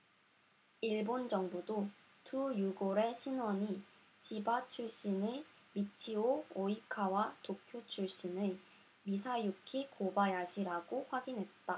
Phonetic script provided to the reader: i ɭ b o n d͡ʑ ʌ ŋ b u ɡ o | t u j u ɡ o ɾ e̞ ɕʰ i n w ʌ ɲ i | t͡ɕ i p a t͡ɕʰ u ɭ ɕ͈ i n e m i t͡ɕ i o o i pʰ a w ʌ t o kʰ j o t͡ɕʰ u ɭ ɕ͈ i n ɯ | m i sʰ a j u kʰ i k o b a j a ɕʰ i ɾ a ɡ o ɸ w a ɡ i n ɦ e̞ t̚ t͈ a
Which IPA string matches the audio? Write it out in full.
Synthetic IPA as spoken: i ɭ b o n d͡ʑ ʌ ŋ b u d o | t u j u ɡ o ɾ e̞ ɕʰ i n w ʌ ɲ i | t͡ɕ i b a t͡ɕʰ u ɭ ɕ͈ i n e m i t͡ɕʰ i o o i kʰ a w a t o kʰ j o t͡ɕʰ u ɭ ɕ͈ i n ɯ | m i sʰ a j u kʰ i k o b a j a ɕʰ i ɾ a ɡ o ɸ w a ɡ i n ɦ e̞ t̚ t͈ a

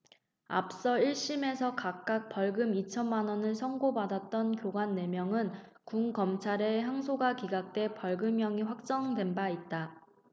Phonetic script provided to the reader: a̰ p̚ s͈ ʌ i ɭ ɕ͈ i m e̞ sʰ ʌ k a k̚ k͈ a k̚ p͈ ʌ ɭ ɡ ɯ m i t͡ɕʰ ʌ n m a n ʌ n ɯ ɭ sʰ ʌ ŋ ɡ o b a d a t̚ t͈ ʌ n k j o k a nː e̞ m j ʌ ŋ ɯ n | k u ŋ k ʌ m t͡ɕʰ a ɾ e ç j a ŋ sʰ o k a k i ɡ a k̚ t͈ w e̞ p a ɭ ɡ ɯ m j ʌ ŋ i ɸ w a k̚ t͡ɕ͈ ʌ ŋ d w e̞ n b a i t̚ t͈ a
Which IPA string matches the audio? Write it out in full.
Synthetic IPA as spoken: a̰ p̚ s͈ ʌ i ɭ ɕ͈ i m e̞ sʰ ʌ k a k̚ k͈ a k̚ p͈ ʌ ɭ ɡ ɯ m i t͡ɕʰ ʌ n m a n ʌ n ɯ ɭ sʰ ʌ ŋ ɡ o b a d a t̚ t͈ ʌ n k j o ɡ a nː e̞ m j ʌ ŋ ɯ n | k u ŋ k ʌ m t͡ɕʰ a ɾ e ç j a ŋ sʰ o ɡ a k i ɡ a k̚ t͈ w e̞ p ʌ ɭ ɡ ɯ m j ʌ ŋ i ɸ w a k̚ t͡ɕ͈ ʌ ŋ d w e̞ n b a i t̚ t͈ a

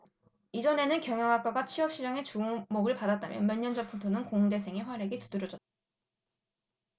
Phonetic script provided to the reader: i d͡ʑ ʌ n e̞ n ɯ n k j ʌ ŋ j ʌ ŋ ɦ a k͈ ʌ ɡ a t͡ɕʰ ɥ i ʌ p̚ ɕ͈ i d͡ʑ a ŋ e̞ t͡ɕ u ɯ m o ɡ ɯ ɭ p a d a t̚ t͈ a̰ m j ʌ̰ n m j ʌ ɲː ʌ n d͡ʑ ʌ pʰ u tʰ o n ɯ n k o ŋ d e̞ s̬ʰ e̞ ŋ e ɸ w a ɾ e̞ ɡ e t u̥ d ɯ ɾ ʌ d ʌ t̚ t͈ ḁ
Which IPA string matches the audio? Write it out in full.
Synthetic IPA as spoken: i d͡ʑ ʌ n e̞ n ɯ n k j ʌ ŋ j ʌ ŋ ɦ a k͈ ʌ ɡ a t͡ɕʰ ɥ i ʌ p̚ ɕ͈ i d͡ʑ a ŋ e̞ t͡ɕ u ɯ m o ɡ ɯ ɭ p a d a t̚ t͈ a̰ m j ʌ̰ n m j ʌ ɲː ʌ n d͡ʑ ʌ pʰ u tʰ o n ɯ n k o ŋ d e̞ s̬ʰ e̞ ŋ e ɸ w a ɾ e̞ ɡ e t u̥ d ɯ ɾ ʌ d͡ʑ ʌ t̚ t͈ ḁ

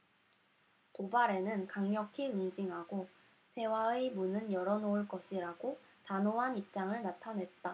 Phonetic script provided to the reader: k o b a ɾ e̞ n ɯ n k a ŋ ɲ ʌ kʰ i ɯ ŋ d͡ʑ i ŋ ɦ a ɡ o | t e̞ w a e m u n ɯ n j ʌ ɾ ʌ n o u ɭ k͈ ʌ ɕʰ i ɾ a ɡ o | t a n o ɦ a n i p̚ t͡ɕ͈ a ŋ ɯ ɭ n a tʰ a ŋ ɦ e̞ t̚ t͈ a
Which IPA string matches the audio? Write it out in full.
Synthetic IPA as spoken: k o b a ɾ e̞ n ɯ n k a ŋ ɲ ʌ kʰ i ɯ ŋ d͡ʑ i ŋ ɦ a ɡ o | t e̞ w a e m u n ɯ n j ʌ ɾ ʌ n o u ɭ k͈ ʌ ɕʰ i ɾ a ɡ o | t a n o ɦ a n i p̚ t͡ɕ͈ a ŋ ɯ ɭ n a tʰ a n ɦ e̞ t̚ t͈ a

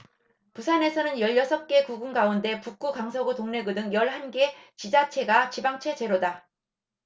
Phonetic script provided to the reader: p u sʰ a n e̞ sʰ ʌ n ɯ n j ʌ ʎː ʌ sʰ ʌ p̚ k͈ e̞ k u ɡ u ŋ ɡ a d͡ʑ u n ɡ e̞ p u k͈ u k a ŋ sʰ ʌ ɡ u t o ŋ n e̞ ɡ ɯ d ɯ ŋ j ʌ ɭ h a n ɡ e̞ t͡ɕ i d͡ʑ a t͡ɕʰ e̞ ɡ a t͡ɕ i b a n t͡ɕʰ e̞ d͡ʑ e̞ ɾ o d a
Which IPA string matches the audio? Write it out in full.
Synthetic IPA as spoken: p u sʰ a n e̞ sʰ ʌ n ɯ n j ʌ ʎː ʌ sʰ ʌ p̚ k͈ e̞ k u ɡ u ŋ ɡ a u n d e̞ p u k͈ u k a ŋ sʰ ʌ ɡ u t o ŋ n e̞ ɡ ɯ d ɯ ŋ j ʌ ɭ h a n ɡ e̞ t͡ɕ i d͡ʑ a t͡ɕʰ e̞ ɡ a t͡ɕ i b a ŋ t͡ɕʰ e̞ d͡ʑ e̞ ɾ o d a

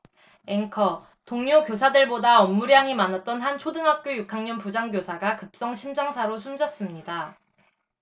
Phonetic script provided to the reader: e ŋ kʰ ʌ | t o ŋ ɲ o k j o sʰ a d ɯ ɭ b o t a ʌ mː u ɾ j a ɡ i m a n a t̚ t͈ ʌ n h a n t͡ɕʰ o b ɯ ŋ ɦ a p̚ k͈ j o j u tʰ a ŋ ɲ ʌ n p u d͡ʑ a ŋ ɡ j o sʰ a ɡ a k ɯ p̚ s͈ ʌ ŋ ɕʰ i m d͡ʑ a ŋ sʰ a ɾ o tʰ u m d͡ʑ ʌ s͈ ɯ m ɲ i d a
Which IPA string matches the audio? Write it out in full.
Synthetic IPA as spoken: e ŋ kʰ ʌ | t o ŋ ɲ o k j o sʰ a d ɯ ɭ b o d a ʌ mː u ɾ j a ŋ i m a n a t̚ t͈ ʌ n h a n t͡ɕʰ o d ɯ ŋ ɦ a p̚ k͈ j o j u kʰ a ŋ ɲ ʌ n p u d͡ʑ a ŋ ɡ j o sʰ a ɡ a k ɯ p̚ s͈ ʌ ŋ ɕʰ i m d͡ʑ a ŋ sʰ a ɾ o sʰ u m d͡ʑ ʌ s͈ ɯ m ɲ i d a

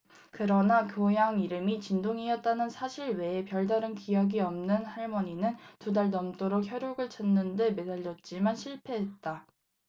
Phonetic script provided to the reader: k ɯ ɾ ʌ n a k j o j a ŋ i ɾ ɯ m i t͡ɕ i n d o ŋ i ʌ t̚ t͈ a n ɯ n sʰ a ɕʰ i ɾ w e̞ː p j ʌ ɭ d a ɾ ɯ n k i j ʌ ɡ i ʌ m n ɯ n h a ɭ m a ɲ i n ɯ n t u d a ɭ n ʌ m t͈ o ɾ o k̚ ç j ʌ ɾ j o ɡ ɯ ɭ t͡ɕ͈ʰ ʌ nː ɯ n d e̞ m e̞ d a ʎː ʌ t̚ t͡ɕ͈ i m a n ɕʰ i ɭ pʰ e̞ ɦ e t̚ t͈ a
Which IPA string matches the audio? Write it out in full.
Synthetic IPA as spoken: k ɯ ɾ ʌ n a k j o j a ŋ i ɾ ɯ m i t͡ɕ i n d o ŋ i ʌ t̚ t͈ a n ɯ n sʰ a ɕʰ i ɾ w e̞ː p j ʌ ɭ d a ɾ ɯ n k i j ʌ ɡ i ʌ m n ɯ n h a ɭ m ʌ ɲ i n ɯ n t u d a ɭ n ʌ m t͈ o ɾ o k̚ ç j ʌ ɾ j o ɡ ɯ ɭ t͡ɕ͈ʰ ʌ nː ɯ n d e̞ m e̞ d a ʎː ʌ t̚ t͡ɕ͈ i m a n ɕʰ i ɭ pʰ e̞ ɦ e t̚ t͈ a

